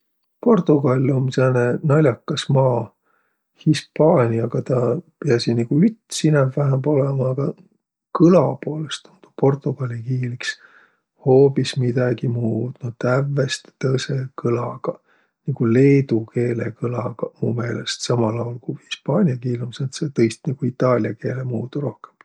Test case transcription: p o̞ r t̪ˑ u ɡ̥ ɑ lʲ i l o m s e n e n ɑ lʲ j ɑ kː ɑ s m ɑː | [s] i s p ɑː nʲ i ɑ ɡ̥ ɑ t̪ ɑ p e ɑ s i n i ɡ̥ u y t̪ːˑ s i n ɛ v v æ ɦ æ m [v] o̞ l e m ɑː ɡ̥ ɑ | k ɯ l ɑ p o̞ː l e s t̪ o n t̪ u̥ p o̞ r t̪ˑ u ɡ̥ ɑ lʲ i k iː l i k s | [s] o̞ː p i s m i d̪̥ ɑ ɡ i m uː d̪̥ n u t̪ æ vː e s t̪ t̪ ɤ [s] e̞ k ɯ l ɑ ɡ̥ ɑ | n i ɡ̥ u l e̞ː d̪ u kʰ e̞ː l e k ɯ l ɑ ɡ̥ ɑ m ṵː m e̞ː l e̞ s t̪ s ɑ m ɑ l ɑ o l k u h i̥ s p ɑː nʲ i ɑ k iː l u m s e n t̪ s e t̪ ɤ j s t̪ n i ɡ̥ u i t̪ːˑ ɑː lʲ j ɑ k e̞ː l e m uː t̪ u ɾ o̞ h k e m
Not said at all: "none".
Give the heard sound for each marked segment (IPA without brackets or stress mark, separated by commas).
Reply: h, b, h, s